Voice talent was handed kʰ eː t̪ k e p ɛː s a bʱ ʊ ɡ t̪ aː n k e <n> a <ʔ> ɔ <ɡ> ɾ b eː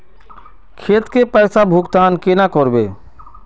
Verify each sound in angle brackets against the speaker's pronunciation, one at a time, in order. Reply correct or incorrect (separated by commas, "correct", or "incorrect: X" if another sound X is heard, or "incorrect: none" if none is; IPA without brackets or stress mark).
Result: correct, incorrect: k, incorrect: none